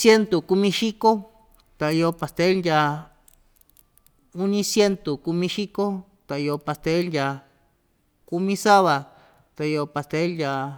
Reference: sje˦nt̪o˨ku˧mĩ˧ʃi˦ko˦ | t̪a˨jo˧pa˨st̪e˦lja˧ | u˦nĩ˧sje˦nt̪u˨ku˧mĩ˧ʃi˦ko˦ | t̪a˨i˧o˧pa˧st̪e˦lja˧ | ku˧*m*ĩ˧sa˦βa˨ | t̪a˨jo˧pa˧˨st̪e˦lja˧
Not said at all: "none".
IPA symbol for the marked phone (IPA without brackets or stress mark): m